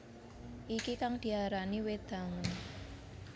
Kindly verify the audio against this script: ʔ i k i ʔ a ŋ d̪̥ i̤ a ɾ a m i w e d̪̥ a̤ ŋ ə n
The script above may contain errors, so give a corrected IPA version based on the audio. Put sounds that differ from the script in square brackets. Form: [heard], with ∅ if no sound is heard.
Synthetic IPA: ʔ i k i [k] a ŋ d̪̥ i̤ a ɾ a [n] i w e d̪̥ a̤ ŋ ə n